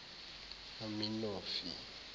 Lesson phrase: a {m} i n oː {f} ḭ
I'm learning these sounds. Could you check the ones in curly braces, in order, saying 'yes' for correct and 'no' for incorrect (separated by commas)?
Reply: yes, yes